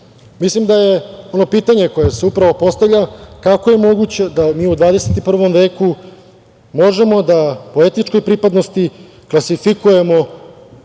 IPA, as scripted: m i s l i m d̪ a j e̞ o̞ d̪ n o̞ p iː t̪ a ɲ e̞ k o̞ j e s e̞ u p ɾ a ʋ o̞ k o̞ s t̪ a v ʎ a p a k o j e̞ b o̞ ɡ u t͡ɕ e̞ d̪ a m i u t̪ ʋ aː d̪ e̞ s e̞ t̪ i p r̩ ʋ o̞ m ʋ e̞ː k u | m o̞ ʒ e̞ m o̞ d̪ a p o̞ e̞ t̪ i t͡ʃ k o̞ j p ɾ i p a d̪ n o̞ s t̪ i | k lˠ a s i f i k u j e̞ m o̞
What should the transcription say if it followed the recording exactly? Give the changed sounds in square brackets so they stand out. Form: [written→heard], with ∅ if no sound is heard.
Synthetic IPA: m i s l i m d̪ a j e̞ o̞ [d̪→∅] n o̞ p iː t̪ a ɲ e̞ k o̞ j e s e̞ u p ɾ a ʋ o̞ [k→p] o̞ s t̪ a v ʎ a [p→k] a k o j e̞ [b→m] o̞ ɡ u t͡ɕ e̞ d̪ a m [i→iː] u [t̪→d̪] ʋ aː d̪ e̞ s e̞ t̪ i p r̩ ʋ o̞ m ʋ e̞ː k u | m o̞ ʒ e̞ m o̞ d̪ a p o̞ e̞ t̪ i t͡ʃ k o̞ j p ɾ i p a d̪ n o̞ s t̪ i | k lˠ a s i f i k u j e̞ m o̞